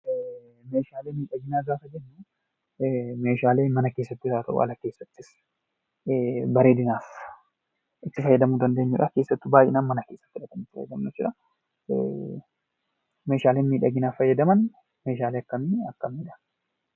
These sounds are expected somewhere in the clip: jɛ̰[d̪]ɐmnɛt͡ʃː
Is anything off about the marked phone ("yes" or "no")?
no